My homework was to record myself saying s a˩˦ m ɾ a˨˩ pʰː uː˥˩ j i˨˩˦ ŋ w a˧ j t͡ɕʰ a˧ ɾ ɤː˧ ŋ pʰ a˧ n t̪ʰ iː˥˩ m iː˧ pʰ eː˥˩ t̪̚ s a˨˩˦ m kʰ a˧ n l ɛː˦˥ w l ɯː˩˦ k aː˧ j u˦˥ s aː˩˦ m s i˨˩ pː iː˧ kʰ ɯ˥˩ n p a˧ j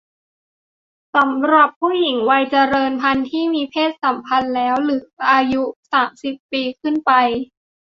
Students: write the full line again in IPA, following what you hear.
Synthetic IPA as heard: s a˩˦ m ɾ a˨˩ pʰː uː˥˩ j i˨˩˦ ŋ w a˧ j t͡ɕ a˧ ɾ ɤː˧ n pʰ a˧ n t̪ʰ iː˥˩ m iː˧ pʰ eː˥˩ t̪̚ s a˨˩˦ m pʰ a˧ n l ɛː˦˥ w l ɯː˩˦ ʔ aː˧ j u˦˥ s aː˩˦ m s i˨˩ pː iː˧ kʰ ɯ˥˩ n p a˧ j